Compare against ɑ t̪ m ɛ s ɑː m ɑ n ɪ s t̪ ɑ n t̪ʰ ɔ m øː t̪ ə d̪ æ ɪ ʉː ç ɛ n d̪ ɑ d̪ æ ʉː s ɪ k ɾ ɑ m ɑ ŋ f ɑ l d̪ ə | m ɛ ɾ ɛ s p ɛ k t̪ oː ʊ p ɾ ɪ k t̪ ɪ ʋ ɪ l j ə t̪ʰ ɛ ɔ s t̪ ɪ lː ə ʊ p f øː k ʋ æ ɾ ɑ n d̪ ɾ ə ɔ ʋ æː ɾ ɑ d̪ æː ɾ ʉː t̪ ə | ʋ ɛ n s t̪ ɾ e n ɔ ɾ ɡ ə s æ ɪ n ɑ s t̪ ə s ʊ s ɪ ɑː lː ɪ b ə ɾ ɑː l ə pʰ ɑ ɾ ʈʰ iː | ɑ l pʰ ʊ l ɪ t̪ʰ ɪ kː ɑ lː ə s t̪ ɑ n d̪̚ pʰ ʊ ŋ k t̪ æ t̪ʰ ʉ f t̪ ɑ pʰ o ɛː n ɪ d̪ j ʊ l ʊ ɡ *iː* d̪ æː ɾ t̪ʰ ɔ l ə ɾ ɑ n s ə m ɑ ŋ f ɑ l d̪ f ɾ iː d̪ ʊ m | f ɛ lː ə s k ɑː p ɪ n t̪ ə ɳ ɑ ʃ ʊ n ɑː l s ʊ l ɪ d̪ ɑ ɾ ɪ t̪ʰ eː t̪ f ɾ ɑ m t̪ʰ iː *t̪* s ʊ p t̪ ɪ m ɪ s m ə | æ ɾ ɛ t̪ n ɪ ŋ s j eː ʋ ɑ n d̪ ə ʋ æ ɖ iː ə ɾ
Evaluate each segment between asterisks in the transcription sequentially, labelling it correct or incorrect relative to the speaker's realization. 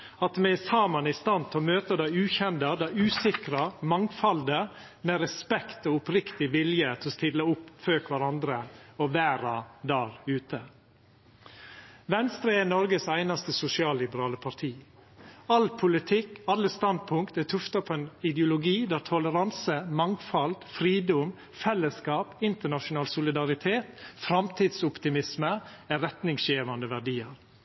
correct, incorrect: d̪

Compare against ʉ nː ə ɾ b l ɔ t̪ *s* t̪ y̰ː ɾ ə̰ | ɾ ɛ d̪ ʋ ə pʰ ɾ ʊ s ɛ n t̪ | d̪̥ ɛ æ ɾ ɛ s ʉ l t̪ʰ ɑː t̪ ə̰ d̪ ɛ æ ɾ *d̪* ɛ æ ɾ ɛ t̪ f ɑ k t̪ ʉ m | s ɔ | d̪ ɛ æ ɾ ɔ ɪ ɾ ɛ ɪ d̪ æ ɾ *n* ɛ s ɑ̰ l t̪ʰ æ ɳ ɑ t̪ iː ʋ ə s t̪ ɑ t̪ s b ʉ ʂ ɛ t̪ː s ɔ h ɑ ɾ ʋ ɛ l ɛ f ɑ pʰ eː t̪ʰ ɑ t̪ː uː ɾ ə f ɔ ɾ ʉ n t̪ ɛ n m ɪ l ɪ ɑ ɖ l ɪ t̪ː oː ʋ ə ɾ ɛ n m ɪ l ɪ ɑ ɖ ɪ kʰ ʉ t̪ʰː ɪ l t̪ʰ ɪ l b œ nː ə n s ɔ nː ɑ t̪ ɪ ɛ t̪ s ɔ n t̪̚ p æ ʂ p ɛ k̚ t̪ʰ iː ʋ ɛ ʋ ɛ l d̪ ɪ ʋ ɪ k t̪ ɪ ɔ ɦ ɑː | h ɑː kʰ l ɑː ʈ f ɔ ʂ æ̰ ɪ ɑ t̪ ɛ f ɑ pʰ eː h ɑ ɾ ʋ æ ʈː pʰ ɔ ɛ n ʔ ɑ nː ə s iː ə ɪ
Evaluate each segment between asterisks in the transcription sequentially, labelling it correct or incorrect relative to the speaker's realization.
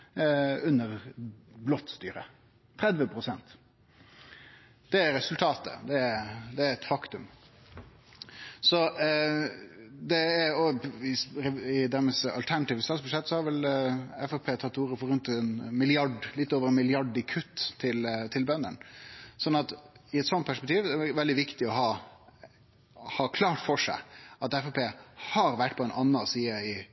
correct, correct, incorrect: m

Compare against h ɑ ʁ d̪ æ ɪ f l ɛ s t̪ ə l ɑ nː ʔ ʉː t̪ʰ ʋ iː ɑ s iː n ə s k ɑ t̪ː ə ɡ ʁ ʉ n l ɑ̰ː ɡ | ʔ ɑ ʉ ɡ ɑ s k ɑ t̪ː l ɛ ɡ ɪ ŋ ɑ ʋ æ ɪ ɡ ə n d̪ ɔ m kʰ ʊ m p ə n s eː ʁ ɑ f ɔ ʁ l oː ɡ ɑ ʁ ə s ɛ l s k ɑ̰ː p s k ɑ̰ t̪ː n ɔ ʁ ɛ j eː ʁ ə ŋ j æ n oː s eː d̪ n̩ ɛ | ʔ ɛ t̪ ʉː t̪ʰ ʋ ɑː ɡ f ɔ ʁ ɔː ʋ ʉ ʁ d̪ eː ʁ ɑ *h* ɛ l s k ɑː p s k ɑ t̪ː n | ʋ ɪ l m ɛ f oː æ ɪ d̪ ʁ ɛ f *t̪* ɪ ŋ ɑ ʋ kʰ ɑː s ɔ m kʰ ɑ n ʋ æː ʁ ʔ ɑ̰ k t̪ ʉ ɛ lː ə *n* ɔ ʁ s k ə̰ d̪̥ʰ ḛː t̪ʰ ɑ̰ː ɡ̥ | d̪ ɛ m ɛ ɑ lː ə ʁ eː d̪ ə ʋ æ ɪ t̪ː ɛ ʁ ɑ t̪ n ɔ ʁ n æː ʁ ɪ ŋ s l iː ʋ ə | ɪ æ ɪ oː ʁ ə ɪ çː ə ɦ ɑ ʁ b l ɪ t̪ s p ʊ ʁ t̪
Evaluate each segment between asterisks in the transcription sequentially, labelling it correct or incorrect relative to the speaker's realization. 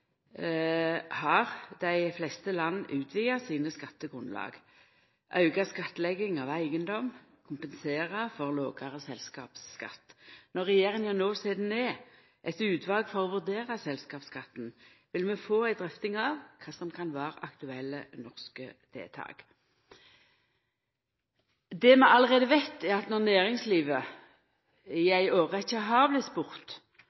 incorrect: s, correct, correct

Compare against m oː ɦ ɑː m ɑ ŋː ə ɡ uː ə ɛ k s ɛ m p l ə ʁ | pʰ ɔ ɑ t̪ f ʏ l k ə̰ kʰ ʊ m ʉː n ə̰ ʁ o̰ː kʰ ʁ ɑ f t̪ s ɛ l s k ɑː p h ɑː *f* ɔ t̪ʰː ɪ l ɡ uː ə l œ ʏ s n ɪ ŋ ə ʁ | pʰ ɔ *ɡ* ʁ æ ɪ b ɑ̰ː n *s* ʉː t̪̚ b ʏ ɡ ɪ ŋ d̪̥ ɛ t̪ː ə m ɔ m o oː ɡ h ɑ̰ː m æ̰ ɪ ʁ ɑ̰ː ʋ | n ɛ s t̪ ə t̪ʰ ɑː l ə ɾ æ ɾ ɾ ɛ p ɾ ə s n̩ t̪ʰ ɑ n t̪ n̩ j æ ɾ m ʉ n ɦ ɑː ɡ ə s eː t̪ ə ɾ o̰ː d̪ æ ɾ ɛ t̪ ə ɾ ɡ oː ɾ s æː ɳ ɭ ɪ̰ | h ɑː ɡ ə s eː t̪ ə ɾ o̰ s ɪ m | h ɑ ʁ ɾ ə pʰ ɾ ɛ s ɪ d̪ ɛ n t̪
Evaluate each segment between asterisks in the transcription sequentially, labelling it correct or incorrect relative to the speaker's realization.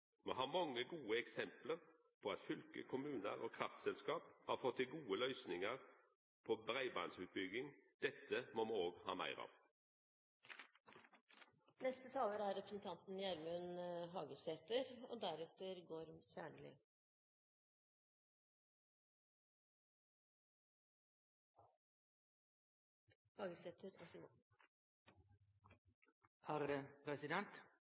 correct, incorrect: b, correct

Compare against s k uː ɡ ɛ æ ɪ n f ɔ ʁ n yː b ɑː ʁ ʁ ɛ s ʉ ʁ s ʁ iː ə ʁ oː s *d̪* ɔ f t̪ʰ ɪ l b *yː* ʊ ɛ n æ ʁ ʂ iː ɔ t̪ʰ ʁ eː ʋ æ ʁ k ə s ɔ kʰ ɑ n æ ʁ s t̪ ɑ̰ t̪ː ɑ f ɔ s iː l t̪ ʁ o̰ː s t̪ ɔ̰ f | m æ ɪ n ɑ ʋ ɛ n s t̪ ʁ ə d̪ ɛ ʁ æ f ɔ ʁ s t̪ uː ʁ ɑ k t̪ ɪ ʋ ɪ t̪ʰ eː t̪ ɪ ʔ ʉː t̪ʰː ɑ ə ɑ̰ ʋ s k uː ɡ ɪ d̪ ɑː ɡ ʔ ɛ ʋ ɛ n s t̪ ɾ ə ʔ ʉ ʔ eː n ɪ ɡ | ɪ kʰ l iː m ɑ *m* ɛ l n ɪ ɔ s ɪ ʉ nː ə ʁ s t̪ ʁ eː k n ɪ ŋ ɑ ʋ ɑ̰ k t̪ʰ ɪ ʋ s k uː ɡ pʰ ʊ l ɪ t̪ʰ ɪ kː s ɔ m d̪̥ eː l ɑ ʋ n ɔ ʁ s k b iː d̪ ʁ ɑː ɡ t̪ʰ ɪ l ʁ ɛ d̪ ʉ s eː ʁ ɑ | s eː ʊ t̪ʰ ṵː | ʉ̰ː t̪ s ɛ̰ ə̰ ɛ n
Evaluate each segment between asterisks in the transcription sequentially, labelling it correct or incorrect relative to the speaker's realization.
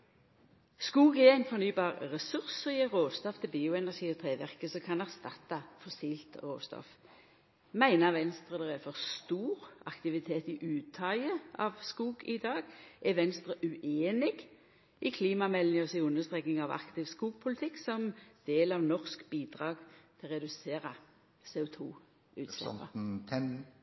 incorrect: t̪, incorrect: iː, correct

